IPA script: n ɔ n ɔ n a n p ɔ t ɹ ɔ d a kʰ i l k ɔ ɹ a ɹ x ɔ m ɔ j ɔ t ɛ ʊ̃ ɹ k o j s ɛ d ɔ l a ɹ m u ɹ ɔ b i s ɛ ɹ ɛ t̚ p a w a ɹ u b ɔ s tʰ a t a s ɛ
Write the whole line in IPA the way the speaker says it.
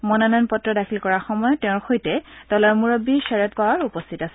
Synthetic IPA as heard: m ɔ n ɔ n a n p ɔ t ɹ ɔ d a kʰ i l k ɔ ɹ a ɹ x ɔ m ɔ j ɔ t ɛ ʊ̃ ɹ x o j t ɛ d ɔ l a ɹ m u ɹ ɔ b i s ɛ ɹ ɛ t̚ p a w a ɹ u p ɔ s tʰ i t a s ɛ

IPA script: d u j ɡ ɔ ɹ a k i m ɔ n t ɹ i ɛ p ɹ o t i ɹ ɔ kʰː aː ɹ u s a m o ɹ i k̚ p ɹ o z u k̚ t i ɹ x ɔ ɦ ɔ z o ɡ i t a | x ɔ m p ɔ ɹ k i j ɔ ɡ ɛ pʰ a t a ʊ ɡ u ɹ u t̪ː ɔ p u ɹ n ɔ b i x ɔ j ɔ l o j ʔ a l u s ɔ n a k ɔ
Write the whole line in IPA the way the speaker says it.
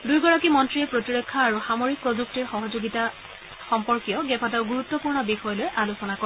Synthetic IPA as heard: d u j ɡ ɔ ɹ a k i m ɔ n t ɹ i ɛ p ɹ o t i ɹ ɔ kʰː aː ɹ u x a m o ɹ i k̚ p ɹ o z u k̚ t i ɹ x ɔ ɦ ɔ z o ɡ i t a | x ɔ m p ɔ ɹ k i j ɔ ɡ ɛ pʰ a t a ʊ ɡ u ɹ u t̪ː ɔ p u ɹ n ɔ b i x ɔ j ɔ l o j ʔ a l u s ɔ n a k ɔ

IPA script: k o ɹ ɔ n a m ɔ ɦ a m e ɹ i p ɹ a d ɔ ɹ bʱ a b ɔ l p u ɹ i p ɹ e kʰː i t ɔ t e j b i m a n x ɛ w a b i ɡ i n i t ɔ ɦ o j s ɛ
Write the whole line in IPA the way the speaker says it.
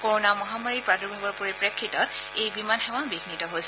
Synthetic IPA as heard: k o ɹ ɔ n a m ɔ ɦ a m a ɹ i p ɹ a d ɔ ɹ bʱ a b ɔ ɹ p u ɹ i p ɹ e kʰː i t ɔ t e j b i m a n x ɛ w a b i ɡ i n i t ɔ ɦ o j s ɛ

